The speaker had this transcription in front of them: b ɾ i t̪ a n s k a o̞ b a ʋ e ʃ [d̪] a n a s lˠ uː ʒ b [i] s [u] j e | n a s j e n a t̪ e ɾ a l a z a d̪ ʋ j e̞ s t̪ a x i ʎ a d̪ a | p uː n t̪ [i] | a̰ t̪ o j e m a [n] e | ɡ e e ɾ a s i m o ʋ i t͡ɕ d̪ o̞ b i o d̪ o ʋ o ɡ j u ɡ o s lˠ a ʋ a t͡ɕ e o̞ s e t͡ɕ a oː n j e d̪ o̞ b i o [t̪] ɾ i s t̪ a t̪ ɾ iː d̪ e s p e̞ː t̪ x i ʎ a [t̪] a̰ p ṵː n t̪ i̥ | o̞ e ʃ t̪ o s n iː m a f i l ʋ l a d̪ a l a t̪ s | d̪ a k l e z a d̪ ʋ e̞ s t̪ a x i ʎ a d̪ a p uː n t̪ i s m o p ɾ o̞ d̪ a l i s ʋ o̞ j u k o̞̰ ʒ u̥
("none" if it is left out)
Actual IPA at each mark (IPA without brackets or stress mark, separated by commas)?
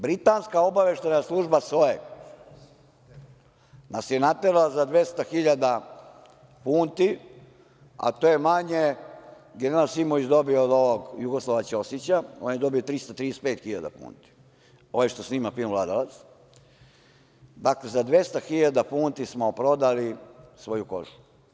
t̪, a, o, i, ɲ, t̪, d̪